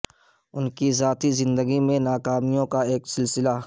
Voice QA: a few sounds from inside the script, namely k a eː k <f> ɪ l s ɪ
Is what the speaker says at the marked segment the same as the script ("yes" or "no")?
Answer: no